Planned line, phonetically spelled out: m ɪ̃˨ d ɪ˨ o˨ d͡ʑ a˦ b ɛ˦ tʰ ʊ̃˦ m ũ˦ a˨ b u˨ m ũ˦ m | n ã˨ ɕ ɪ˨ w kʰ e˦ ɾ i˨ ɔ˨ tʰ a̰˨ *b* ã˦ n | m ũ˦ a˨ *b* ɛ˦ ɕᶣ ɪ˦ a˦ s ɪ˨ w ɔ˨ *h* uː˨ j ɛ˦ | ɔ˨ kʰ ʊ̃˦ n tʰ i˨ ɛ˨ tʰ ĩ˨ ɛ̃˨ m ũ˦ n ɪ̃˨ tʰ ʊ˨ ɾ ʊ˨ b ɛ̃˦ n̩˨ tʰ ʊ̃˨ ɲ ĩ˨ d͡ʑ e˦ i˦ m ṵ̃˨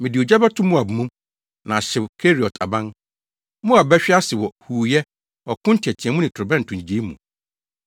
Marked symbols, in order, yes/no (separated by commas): yes, yes, yes